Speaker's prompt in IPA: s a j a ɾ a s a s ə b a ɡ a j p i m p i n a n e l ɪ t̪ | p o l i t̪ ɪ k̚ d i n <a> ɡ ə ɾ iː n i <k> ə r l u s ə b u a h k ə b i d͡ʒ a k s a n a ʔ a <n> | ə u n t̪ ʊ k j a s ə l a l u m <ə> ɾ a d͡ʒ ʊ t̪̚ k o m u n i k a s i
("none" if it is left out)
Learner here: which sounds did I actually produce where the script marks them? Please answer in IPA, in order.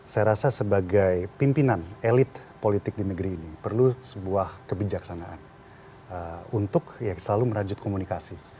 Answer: ə, p, n, ə

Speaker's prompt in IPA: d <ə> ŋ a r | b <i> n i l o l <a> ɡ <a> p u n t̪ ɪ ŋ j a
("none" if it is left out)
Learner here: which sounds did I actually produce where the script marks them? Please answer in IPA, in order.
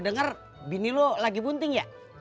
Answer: ə, i, a, i

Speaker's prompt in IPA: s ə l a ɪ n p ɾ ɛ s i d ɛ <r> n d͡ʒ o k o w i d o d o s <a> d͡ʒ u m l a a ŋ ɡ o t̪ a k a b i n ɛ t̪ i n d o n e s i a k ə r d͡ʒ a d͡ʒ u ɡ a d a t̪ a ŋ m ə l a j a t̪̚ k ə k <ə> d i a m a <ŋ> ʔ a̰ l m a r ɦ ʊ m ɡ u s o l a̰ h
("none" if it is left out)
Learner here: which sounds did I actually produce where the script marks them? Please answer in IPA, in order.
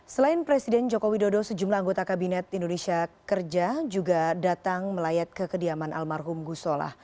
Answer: none, ə, ə, n

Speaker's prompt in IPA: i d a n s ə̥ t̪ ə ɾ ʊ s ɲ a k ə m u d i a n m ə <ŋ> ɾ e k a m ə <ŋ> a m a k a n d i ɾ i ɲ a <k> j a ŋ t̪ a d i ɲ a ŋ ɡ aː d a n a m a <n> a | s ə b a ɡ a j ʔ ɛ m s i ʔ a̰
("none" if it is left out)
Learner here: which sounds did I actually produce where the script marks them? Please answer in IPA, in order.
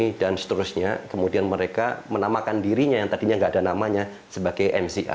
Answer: none, n, none, ɲ

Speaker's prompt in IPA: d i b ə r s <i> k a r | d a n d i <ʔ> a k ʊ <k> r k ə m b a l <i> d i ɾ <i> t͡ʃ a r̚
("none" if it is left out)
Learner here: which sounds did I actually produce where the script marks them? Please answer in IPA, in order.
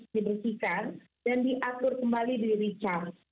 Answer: i, ʔ, none, i, i

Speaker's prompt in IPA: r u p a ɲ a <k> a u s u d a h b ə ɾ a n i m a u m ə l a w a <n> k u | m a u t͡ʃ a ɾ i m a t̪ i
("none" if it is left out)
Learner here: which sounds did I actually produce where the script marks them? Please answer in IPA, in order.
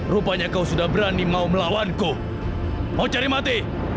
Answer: k, n

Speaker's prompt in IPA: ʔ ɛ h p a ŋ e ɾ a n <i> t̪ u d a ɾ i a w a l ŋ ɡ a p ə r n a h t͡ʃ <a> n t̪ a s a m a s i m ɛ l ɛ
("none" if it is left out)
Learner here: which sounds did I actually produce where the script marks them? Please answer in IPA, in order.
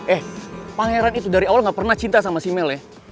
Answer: i, i

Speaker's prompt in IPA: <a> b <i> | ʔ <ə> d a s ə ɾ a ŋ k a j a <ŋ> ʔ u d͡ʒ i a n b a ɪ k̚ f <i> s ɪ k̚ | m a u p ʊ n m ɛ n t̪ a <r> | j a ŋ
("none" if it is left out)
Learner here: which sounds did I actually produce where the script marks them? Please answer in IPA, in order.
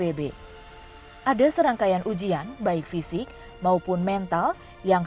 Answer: e, e, a, n, i, l

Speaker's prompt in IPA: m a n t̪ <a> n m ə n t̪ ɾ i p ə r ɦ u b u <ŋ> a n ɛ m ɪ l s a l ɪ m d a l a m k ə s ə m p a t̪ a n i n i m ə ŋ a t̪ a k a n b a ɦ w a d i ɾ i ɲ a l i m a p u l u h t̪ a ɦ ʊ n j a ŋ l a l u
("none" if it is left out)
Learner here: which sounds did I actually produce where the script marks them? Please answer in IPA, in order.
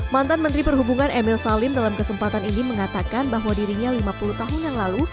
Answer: a, ŋ

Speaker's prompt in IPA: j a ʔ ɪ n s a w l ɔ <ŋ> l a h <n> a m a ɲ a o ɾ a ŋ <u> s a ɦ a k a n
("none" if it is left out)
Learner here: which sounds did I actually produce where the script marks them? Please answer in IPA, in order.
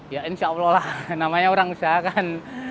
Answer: none, n, u

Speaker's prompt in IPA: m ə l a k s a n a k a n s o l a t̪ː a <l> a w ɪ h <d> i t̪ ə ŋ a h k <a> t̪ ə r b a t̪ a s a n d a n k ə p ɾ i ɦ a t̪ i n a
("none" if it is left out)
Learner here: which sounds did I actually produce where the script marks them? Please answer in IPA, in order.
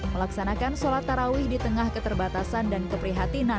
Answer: ɾ, d, ə

